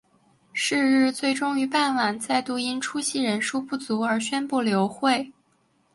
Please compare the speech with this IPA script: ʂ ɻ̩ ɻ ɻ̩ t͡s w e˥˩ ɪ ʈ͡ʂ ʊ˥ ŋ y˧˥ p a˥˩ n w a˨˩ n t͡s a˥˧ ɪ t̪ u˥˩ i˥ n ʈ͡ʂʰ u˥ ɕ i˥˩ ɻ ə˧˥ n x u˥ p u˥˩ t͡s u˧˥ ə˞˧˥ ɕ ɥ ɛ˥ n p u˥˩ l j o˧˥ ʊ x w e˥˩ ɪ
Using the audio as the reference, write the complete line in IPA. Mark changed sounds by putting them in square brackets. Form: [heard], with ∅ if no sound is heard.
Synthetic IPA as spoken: ʂ ɻ̩ ɻ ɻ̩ t͡s w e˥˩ ɪ ʈ͡ʂ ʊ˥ ŋ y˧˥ p a˥˩ n w a˨˩ n t͡s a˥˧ ɪ t̪ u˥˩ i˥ n ʈ͡ʂʰ u˥ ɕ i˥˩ ɻ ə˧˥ n [ʂ] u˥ p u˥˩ t͡s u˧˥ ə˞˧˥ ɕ ɥ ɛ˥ n p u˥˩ l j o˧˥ ʊ x w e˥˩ ɪ